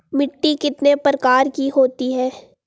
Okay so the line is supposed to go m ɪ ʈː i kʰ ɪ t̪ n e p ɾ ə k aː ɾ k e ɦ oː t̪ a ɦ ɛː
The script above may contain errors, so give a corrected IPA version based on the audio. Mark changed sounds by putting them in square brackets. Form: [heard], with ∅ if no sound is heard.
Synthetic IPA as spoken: m ɪ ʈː i [k] ɪ t̪ n e p ɾ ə k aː ɾ k [i] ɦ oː t̪ [i] ɦ ɛː